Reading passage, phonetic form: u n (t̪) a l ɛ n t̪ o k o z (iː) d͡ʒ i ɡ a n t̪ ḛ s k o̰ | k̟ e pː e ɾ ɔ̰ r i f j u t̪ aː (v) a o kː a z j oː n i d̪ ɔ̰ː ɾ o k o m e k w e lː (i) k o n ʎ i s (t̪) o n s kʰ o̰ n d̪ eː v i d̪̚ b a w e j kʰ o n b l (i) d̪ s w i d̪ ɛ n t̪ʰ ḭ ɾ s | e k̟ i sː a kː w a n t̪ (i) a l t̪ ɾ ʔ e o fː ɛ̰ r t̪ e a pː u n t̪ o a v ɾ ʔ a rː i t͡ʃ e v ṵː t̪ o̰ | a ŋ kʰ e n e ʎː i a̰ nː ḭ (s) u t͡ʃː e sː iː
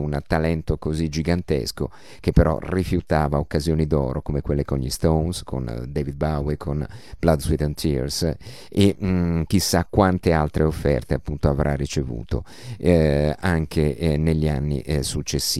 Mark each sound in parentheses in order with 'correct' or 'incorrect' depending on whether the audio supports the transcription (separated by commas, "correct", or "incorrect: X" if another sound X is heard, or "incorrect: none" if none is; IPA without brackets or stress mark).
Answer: correct, incorrect: i, correct, incorrect: e, correct, incorrect: a, incorrect: e, correct